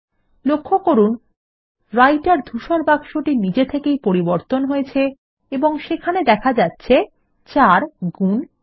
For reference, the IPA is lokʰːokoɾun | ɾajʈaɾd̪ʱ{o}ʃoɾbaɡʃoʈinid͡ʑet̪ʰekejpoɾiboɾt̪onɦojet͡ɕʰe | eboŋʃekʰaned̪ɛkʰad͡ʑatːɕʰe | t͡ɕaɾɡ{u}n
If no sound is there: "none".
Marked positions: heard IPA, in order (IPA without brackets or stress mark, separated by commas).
u, u